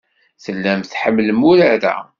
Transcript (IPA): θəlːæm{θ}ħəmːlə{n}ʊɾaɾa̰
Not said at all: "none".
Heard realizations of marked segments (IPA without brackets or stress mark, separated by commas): θ, m